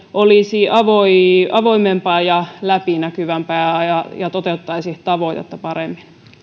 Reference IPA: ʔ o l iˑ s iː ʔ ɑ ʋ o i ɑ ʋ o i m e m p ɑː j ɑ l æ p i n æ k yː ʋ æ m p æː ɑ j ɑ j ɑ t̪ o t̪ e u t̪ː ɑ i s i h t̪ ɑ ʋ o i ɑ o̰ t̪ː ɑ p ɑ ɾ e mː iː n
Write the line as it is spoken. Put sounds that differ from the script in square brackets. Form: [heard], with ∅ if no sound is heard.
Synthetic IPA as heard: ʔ o l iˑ s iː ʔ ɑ ʋ o i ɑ ʋ o i m e m p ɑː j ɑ l æ p i n æ k [y] ʋ æ m p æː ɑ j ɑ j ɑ t̪ o t̪ e u t̪ː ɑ i s i h t̪ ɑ ʋ o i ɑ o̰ t̪ː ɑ p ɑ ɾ e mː [i] n